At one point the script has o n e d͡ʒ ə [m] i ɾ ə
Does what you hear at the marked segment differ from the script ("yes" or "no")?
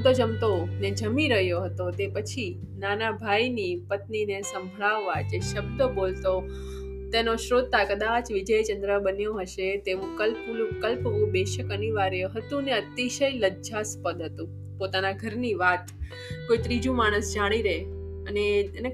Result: no